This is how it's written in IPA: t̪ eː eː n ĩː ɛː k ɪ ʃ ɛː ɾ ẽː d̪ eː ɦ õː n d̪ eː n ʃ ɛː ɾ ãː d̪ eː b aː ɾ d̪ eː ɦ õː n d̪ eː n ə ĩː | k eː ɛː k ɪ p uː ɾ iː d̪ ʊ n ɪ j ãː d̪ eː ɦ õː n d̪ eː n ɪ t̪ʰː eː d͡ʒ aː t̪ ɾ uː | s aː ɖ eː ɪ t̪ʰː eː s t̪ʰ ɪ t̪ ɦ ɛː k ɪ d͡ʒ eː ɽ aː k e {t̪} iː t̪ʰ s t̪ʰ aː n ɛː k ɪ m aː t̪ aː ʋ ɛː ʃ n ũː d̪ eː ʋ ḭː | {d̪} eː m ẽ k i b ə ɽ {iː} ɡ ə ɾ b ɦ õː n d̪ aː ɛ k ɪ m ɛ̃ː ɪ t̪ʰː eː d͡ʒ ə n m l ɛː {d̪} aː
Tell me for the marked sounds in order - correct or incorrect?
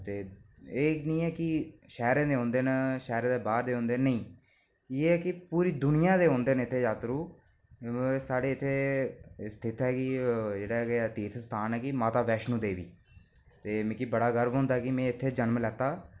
correct, incorrect, incorrect, incorrect

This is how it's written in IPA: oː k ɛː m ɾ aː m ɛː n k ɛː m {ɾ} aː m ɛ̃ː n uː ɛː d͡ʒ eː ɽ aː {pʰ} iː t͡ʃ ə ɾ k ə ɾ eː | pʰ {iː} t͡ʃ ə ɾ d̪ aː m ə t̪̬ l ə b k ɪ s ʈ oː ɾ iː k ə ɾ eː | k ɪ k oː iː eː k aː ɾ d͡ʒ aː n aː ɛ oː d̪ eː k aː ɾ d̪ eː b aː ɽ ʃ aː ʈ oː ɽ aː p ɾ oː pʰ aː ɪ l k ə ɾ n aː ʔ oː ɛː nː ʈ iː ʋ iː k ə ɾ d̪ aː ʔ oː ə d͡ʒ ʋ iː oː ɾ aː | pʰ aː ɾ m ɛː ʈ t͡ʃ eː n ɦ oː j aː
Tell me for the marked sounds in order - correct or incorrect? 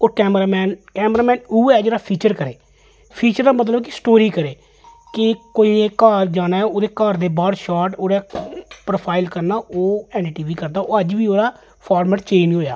correct, correct, correct

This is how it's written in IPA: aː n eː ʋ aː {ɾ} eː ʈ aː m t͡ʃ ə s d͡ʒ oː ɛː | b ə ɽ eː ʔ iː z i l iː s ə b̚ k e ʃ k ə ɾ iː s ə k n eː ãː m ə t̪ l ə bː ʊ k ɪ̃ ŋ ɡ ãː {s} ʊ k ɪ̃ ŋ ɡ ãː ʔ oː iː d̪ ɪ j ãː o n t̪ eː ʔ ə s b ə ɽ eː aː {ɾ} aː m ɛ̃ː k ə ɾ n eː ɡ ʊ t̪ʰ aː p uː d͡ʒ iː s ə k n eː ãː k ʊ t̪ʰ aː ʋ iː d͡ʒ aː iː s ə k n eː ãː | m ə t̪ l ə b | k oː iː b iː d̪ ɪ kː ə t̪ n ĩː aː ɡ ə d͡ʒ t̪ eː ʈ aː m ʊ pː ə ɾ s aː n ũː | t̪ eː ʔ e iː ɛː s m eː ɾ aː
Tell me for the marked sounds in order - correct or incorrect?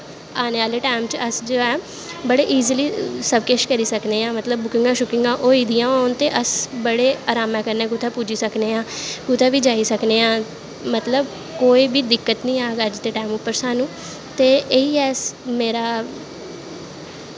incorrect, incorrect, correct

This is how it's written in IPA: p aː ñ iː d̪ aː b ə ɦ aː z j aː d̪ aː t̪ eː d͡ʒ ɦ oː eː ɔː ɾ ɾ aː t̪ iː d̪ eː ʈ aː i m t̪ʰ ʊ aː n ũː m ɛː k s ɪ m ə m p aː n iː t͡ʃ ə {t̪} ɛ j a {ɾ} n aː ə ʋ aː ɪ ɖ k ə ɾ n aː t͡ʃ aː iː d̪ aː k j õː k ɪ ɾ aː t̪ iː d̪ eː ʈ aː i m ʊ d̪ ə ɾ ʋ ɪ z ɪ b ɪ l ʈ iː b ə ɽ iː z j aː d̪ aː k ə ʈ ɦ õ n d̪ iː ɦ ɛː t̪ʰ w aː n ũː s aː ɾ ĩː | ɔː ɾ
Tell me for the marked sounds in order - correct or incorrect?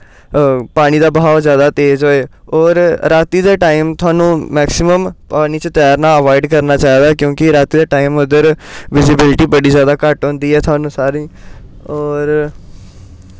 correct, correct

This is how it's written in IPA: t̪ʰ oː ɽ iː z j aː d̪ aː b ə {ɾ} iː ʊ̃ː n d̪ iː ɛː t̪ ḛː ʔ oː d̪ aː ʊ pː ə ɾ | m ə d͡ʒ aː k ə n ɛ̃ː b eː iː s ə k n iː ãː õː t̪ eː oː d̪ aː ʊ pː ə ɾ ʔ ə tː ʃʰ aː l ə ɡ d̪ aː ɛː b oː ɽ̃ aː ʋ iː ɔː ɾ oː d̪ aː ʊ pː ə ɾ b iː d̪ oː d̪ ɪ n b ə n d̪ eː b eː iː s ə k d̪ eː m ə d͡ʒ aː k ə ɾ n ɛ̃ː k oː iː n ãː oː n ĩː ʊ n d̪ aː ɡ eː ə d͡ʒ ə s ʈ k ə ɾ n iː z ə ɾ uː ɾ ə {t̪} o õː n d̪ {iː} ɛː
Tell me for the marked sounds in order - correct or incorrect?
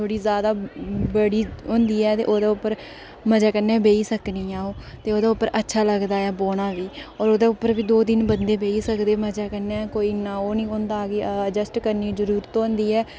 incorrect, correct, correct

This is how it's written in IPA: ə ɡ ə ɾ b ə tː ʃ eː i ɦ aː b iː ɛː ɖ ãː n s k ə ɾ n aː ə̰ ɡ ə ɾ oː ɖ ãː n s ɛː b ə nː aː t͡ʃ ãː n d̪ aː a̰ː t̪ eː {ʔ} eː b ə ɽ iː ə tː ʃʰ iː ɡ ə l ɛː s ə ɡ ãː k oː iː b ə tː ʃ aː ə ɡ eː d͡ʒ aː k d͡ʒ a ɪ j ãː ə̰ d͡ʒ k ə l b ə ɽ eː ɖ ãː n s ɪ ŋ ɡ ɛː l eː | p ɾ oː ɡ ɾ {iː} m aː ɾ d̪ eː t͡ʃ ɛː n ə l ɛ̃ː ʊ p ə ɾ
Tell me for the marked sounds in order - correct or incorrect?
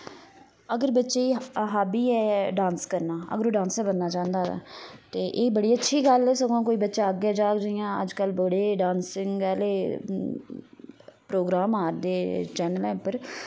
correct, incorrect

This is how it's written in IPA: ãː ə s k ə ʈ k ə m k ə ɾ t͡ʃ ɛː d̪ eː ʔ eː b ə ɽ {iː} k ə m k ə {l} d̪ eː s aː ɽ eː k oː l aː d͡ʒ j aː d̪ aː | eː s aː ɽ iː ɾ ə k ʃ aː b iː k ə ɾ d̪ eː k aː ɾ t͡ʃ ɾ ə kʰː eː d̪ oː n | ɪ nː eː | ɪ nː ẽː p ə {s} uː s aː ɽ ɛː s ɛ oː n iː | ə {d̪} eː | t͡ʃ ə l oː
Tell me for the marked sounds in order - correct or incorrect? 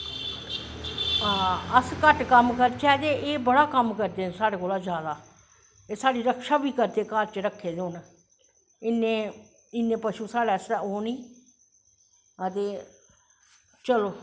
incorrect, incorrect, incorrect, incorrect

